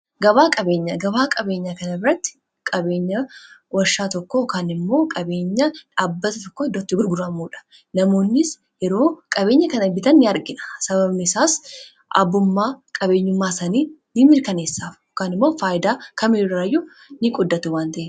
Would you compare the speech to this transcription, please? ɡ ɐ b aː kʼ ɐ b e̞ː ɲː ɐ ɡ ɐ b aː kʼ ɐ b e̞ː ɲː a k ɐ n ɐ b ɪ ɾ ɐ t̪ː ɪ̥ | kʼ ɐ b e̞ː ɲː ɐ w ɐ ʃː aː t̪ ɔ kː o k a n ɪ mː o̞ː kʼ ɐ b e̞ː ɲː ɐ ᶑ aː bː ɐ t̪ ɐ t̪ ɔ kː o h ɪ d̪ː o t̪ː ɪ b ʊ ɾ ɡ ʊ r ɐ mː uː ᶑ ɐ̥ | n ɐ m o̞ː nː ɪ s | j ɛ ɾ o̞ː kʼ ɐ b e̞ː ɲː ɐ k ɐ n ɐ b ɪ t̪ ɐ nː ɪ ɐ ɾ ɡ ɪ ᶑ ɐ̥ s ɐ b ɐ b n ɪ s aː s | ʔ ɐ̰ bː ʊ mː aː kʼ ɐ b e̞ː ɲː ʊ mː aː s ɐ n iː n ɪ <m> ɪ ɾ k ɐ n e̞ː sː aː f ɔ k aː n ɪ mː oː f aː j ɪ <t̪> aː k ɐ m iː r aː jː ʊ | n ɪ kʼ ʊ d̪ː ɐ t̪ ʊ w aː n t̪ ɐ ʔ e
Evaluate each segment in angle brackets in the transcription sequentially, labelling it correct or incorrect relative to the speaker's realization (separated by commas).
correct, incorrect